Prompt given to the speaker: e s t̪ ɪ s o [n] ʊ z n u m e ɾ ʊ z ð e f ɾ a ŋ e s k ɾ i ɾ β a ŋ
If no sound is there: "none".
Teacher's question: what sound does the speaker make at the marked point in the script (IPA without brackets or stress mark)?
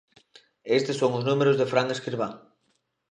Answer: ŋ